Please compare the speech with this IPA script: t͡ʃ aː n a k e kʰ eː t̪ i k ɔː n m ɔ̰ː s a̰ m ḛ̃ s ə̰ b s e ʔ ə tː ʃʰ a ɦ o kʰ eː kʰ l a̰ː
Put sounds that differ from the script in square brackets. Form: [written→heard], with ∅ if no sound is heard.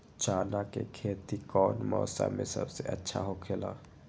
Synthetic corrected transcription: t͡ʃ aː n a k e kʰ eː t̪ i k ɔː n m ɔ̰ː s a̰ m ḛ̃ s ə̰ b s e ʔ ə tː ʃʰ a ɦ o kʰ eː [kʰ→∅] l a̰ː